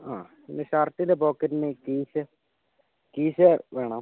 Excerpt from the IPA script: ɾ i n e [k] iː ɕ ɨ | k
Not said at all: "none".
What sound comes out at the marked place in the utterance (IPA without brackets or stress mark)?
k